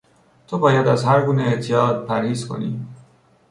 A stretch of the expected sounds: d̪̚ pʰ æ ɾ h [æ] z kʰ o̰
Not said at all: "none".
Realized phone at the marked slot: i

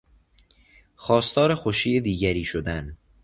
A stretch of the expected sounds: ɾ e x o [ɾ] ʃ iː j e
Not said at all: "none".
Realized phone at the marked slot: none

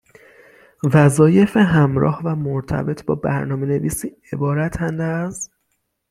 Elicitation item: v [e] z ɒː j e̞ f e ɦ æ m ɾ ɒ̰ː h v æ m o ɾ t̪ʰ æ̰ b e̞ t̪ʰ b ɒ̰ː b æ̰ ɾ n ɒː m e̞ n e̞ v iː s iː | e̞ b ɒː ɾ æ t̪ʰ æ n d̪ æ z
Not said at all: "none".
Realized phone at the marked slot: æ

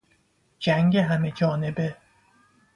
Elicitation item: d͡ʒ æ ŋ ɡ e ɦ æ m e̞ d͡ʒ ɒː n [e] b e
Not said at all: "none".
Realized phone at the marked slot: e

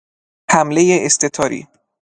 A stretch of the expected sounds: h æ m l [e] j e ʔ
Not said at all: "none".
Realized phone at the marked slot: e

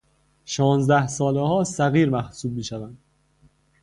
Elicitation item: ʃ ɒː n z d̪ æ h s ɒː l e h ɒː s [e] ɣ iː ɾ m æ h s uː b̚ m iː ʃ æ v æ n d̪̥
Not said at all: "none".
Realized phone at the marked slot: æ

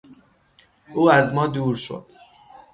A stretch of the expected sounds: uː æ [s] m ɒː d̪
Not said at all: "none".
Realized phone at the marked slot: z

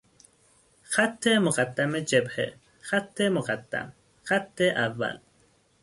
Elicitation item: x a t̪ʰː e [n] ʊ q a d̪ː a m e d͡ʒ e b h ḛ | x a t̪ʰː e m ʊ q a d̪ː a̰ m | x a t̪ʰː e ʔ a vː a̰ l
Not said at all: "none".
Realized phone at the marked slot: m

